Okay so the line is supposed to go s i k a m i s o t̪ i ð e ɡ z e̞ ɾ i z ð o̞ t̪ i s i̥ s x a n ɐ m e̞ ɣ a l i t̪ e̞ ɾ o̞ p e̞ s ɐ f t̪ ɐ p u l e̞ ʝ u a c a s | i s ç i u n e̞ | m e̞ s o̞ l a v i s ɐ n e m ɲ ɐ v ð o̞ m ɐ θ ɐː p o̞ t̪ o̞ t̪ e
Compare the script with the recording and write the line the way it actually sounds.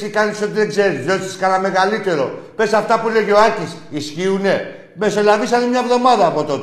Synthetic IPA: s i k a n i s o t̪ i ð e ɡ z e̞ ɾ i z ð o̞ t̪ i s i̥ s k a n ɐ m e̞ ɣ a l i t̪ e̞ ɾ o̞ p e̞ s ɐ f t̪ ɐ p u l e̞ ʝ o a c i s | i s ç i u n e̞ | m e̞ s o̞ l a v i s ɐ n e m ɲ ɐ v ð o̞ m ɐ ð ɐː p o̞ t̪ o̞ t̪ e